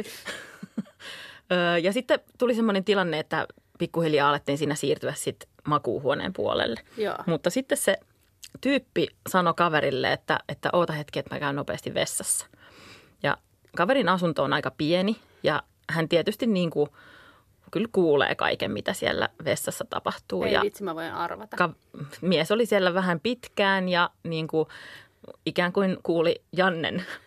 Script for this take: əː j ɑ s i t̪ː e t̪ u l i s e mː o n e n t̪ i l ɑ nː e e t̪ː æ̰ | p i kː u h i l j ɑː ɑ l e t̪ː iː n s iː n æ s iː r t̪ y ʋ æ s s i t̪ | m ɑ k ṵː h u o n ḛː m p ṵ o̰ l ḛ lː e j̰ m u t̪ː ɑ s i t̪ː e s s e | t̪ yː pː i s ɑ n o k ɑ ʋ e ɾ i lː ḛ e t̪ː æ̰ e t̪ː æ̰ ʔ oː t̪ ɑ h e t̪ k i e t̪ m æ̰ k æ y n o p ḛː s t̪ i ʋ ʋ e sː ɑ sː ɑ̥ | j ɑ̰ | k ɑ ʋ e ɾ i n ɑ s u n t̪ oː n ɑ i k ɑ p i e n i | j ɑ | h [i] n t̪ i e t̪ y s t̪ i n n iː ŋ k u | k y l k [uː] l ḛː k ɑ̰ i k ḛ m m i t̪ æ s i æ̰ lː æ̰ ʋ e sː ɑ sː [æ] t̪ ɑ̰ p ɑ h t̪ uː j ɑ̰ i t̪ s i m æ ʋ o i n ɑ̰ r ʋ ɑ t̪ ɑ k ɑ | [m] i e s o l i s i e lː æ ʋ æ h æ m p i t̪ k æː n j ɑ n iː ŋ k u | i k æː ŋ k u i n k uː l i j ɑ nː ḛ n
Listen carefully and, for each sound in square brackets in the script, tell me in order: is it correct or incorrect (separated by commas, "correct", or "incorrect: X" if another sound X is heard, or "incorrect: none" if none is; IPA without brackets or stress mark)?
incorrect: æ, correct, correct, correct